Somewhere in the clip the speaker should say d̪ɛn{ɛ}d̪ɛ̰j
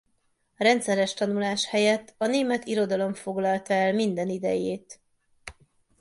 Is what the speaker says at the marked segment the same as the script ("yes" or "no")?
no